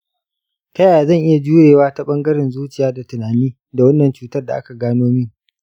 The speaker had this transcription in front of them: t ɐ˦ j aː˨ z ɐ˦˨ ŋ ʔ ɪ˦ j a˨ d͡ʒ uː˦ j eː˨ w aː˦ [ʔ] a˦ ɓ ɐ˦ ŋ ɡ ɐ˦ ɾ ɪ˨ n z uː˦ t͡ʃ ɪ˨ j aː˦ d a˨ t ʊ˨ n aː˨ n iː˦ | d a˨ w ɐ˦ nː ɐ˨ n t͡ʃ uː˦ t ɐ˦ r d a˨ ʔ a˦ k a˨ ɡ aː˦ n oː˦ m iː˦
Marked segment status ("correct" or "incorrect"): incorrect